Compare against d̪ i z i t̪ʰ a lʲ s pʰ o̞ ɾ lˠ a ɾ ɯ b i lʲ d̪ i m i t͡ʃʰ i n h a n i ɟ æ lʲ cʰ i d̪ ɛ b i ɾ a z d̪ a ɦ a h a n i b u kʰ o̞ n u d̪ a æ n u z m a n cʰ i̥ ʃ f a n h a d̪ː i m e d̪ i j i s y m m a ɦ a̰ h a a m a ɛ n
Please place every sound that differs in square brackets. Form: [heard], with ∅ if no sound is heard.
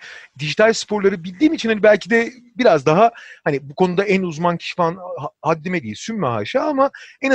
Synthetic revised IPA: d̪ i [ʒ] i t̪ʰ a lʲ s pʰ o̞ ɾ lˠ a ɾ ɯ b i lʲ d̪ [iː] m i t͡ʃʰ i n h a n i [b] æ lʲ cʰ i d̪ ɛ b i ɾ a z d̪ a ɦ a h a n i b u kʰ o̞ n u d̪ a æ n u z m a n cʰ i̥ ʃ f a n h a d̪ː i m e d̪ i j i s y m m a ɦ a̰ [ʃ] a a m a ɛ n